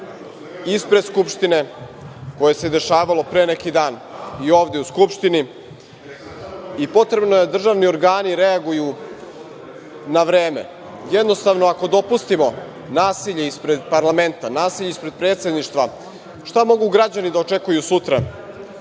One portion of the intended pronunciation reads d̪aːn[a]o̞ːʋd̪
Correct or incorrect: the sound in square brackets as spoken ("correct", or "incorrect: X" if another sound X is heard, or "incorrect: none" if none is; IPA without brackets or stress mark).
incorrect: i